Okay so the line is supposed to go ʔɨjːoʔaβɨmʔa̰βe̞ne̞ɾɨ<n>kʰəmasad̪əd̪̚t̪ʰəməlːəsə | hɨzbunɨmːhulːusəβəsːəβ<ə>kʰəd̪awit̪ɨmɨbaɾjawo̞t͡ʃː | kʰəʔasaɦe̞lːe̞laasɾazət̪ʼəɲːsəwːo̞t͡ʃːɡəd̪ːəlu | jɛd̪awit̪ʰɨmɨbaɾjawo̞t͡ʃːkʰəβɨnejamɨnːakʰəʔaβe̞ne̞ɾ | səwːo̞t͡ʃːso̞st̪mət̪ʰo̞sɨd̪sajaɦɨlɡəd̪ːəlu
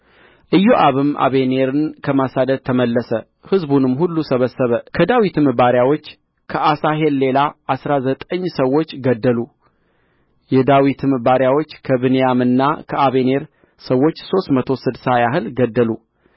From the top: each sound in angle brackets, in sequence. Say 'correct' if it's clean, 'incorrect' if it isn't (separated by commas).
correct, correct